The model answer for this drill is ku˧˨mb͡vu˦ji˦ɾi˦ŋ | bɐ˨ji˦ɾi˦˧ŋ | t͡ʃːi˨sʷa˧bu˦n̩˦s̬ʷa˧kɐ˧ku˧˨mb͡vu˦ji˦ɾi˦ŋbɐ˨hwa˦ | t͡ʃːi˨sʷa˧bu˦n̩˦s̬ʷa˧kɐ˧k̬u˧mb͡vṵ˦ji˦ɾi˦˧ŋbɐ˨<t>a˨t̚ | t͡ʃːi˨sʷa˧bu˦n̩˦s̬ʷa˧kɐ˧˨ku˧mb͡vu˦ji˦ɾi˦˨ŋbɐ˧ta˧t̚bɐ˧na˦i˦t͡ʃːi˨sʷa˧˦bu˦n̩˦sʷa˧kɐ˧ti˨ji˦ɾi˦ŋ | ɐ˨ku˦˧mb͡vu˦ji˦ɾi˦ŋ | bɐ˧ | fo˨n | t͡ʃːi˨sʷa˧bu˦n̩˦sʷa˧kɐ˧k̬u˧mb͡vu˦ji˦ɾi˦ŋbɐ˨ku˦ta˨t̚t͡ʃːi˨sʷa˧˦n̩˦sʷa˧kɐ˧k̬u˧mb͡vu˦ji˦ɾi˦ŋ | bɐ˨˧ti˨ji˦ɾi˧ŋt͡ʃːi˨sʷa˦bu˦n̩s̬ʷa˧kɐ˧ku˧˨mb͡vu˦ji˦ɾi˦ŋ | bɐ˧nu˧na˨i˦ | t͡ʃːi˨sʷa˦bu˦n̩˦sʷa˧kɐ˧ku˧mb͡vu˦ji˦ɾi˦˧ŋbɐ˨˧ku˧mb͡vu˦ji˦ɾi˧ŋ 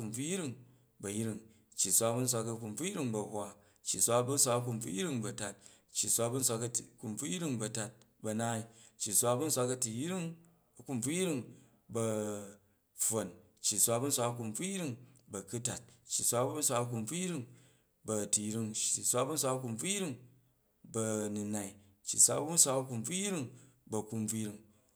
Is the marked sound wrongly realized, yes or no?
no